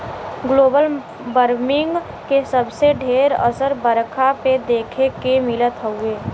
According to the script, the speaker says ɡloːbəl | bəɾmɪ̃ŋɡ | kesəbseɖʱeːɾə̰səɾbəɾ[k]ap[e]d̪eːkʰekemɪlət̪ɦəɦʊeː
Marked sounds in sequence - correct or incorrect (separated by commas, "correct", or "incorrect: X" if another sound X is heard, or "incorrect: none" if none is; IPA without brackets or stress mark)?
incorrect: kʰ, correct